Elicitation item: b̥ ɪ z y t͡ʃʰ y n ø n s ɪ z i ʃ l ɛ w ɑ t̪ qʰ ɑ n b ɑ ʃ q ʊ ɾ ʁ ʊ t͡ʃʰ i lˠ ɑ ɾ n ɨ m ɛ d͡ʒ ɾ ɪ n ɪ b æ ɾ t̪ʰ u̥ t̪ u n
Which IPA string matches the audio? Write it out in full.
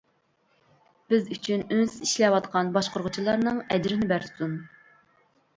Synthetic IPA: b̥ ɪ z y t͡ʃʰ y n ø n s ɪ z i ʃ l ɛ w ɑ t̪ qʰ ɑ n b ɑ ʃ q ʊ ɾ ʁ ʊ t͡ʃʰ i lˠ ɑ ɾ n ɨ ŋ ɛ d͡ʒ ɾ ɪ n ɪ b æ ɾ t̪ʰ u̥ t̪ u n